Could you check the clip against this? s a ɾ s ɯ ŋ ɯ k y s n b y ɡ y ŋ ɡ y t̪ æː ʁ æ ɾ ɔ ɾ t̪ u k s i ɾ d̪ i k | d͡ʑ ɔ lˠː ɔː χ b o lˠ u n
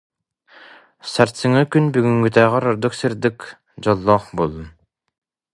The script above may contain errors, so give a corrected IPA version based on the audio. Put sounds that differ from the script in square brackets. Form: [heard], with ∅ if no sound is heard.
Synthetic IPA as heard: s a ɾ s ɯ ŋ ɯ k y [∅] n b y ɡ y ŋ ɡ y t̪ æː ʁ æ ɾ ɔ ɾ [d̪] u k s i ɾ d̪ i k | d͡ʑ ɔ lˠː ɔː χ b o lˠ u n